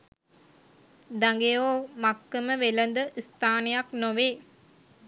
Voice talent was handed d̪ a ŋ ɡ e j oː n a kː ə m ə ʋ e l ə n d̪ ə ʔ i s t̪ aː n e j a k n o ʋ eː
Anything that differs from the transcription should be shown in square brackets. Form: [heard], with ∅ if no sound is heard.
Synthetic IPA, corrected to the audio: d̪ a ŋ ɡ e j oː [m] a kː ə m ə ʋ e l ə n d̪ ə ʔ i s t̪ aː n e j a k n o ʋ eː